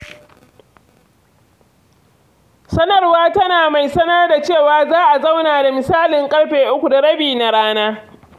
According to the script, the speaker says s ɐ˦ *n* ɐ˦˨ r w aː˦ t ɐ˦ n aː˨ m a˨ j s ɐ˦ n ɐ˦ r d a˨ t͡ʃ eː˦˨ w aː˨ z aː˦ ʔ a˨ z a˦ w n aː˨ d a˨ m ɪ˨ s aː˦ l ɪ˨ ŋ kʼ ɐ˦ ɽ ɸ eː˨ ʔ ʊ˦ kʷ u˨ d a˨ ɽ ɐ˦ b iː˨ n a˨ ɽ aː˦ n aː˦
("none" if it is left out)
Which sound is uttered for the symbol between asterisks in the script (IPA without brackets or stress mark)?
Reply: n